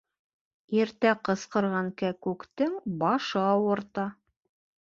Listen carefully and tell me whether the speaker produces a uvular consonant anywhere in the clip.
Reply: yes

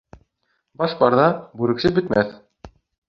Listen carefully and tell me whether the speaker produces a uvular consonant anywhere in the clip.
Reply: no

